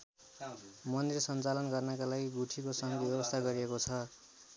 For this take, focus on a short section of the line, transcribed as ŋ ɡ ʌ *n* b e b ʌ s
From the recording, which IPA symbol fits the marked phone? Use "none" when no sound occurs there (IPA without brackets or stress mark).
none